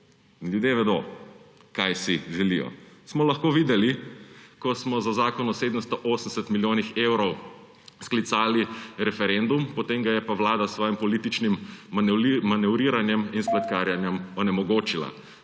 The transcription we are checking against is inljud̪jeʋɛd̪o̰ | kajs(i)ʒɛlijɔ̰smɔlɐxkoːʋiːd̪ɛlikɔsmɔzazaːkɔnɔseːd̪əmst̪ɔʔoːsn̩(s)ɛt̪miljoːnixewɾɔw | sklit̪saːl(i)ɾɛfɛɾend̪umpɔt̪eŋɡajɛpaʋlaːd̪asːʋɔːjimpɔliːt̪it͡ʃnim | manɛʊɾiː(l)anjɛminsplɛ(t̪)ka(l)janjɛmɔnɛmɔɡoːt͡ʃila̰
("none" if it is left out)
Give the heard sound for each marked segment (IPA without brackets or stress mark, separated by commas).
i, s, i, ɾ, t̪, ɾ